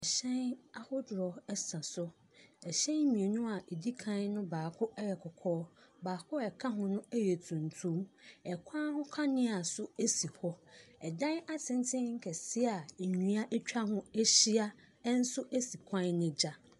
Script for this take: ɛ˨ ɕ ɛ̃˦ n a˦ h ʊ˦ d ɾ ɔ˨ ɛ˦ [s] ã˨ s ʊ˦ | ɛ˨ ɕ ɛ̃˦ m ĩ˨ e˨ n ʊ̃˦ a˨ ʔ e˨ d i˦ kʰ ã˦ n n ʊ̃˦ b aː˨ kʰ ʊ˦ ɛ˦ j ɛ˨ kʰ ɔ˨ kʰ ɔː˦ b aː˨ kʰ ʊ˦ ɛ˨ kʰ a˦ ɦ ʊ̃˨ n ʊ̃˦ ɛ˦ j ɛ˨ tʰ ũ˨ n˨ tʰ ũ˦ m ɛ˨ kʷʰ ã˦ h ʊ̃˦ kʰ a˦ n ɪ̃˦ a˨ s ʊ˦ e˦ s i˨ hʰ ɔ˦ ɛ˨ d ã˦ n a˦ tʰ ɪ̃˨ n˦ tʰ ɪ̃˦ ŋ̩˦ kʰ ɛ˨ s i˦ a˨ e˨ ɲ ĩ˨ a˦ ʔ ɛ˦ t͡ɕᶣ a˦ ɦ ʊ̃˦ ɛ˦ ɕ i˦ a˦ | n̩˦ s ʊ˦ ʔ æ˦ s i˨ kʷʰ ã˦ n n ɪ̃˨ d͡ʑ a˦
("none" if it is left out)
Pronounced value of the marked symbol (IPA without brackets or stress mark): s